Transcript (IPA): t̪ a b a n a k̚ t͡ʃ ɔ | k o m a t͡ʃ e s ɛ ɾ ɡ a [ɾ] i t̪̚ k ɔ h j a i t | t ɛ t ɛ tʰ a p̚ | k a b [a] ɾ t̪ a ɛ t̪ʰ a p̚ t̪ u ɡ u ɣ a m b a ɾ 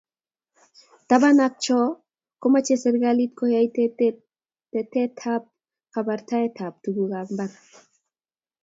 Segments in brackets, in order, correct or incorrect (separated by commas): incorrect, correct